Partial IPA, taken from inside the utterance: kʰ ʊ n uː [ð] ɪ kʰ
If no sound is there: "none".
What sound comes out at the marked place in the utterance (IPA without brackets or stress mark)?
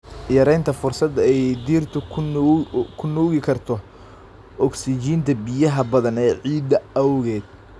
ɣ